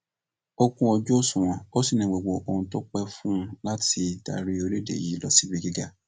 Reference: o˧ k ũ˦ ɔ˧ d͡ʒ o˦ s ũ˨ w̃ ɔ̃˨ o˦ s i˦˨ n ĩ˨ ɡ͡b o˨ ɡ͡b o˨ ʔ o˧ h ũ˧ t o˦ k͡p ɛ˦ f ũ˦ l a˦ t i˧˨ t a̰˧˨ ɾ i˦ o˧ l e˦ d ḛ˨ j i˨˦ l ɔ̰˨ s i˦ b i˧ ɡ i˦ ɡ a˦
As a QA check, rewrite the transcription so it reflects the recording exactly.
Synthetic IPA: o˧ k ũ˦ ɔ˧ d͡ʒ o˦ s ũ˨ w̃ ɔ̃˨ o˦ s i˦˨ n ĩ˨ ɡ͡b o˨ ɡ͡b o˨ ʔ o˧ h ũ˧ t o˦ k͡p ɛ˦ f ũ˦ l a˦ t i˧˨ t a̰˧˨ ɾ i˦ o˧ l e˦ d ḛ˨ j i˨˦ l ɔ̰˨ s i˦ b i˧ ɡ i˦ ɡ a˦